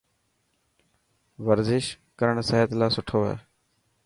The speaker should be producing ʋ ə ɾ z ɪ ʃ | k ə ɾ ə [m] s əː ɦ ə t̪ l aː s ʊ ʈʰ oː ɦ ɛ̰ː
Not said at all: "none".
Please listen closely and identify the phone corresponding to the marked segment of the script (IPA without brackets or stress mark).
ɳ